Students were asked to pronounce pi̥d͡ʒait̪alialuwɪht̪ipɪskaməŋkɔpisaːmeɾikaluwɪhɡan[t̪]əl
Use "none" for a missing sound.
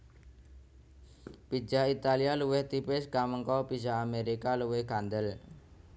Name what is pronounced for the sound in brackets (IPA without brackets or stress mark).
d̪